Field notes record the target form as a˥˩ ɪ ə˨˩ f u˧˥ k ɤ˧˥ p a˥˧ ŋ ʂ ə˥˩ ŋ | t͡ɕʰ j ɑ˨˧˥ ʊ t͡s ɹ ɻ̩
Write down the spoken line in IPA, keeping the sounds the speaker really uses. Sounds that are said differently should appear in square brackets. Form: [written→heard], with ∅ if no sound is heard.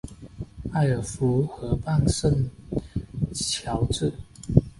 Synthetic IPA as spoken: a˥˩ ɪ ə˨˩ f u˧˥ [k→x] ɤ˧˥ p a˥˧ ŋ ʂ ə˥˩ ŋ | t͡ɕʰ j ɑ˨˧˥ ʊ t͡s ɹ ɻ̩